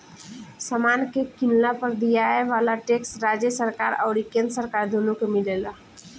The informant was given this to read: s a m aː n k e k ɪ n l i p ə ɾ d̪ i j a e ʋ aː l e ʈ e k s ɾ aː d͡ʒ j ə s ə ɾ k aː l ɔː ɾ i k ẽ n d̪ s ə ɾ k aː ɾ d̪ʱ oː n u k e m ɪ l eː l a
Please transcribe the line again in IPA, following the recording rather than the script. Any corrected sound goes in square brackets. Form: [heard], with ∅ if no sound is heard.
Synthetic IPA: s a m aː n k e k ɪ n l [a] p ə ɾ d̪ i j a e ʋ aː l [a] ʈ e k s ɾ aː d͡ʒ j ə s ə ɾ k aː [ɾ] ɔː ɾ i k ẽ n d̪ s ə ɾ k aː ɾ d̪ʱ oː n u k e m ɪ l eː l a